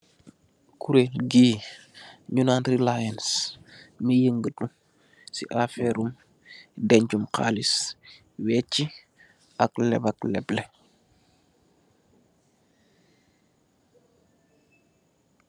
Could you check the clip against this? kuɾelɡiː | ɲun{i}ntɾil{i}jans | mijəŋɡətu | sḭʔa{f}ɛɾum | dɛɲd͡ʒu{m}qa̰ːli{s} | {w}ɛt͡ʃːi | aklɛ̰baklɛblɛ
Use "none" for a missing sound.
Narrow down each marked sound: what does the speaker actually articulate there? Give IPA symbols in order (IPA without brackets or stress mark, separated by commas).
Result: a, a, f, m, s, w